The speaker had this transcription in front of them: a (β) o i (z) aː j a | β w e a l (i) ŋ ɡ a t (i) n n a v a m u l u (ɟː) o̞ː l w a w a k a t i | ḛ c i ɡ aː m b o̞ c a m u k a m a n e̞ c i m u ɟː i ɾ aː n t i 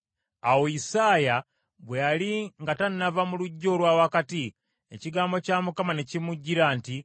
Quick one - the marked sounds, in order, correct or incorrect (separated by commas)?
incorrect, incorrect, correct, incorrect, correct